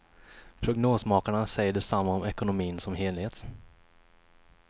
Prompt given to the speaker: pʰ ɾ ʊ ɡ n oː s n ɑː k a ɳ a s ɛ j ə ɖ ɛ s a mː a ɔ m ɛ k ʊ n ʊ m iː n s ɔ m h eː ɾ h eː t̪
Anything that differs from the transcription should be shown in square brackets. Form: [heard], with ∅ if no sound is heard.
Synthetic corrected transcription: pʰ ɾ ʊ ɡ n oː s [m] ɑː k a ɳ a s ɛ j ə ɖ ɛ s a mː a ɔ m ɛ k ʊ n ʊ m iː n s ɔ m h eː [l] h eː t̪